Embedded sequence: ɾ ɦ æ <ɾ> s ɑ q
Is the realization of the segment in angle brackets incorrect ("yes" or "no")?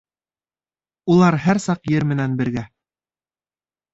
no